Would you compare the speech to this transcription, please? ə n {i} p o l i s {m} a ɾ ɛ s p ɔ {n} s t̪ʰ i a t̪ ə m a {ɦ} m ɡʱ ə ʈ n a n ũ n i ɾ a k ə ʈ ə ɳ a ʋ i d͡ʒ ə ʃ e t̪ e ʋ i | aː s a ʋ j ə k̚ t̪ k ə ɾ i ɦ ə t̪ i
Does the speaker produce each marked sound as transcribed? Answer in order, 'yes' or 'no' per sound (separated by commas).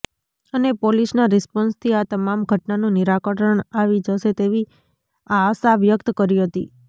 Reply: no, no, yes, no